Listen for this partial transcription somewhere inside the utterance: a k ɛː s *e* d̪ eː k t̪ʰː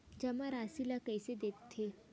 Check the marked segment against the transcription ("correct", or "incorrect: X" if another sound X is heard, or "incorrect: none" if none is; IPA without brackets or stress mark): correct